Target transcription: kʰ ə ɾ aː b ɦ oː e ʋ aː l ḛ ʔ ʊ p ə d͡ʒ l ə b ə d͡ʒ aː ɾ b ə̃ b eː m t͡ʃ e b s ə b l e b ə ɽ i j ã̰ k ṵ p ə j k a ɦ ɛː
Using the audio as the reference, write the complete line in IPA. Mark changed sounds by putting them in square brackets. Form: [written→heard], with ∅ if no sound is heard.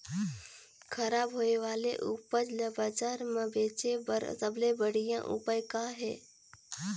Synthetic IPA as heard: kʰ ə ɾ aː b ɦ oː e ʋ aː l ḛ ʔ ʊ p ə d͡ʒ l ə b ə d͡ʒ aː ɾ [b→m] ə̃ b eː [m→∅] t͡ʃ e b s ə b l e b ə ɽ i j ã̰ [k→ʔ] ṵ p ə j k a ɦ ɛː